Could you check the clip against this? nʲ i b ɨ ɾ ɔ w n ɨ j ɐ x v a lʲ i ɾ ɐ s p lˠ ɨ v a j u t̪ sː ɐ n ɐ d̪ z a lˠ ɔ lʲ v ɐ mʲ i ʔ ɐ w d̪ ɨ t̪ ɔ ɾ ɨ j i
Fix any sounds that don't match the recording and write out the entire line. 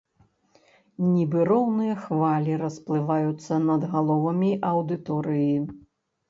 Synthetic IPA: nʲ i b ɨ ɾ ɔ w n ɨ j ɐ x v a lʲ i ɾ ɐ s p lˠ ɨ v a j u t̪ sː ɐ n ɐ d̪ ɣ a lˠ ɔ v ɐ mʲ i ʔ ɐ w d̪ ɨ t̪ ɔ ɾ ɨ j i